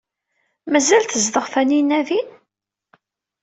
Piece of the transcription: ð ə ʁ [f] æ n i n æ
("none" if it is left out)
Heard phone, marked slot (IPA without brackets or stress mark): f